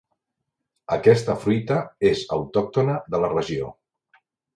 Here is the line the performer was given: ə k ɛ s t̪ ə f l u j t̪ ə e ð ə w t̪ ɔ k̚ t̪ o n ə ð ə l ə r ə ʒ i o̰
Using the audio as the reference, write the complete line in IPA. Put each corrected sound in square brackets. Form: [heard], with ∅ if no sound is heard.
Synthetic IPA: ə k ɛ s t̪ ə f [ɾ] u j t̪ ə e [z] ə w t̪ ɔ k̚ t̪ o n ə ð ə l ə r ə ʒ i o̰